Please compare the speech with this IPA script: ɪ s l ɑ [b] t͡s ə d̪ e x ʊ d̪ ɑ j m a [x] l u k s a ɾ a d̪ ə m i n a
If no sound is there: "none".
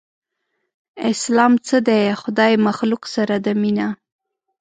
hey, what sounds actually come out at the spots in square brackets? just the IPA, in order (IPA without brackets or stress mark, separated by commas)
m, x